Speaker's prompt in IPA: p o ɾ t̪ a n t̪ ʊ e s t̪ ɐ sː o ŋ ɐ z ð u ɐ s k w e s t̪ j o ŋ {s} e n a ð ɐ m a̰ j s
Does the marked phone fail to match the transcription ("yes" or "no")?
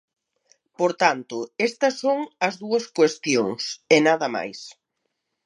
no